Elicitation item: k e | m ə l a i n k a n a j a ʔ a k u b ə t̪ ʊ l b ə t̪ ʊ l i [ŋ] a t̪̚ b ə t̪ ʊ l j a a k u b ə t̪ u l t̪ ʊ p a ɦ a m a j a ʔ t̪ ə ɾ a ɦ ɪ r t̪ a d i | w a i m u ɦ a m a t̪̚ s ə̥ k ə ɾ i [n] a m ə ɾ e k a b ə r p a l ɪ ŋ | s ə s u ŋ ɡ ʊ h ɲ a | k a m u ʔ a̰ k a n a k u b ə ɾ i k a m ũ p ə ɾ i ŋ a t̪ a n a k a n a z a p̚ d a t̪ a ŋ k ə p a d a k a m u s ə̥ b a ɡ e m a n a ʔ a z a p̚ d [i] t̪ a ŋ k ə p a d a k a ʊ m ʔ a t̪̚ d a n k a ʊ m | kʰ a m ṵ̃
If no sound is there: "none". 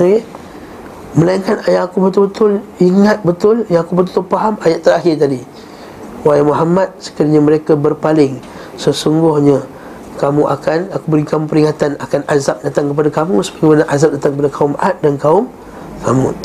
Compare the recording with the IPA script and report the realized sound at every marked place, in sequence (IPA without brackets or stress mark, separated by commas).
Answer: ŋ, ɲ, a